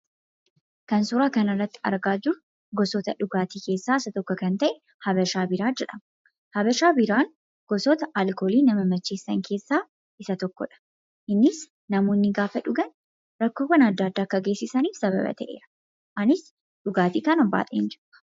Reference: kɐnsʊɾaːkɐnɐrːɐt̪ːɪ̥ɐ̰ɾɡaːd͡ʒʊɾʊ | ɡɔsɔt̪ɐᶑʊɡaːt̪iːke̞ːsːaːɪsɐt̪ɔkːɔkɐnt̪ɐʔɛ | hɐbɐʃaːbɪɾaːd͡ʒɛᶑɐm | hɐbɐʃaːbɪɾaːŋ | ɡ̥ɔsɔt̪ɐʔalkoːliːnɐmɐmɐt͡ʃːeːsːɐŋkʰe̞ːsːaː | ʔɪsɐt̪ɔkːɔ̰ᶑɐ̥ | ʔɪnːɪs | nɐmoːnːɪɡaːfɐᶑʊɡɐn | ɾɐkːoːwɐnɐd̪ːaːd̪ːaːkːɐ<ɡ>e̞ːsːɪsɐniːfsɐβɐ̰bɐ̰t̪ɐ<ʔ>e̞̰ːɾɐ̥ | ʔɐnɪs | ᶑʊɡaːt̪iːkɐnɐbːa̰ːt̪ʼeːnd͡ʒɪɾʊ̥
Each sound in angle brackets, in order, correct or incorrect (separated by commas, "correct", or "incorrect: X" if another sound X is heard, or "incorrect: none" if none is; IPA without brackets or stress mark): correct, correct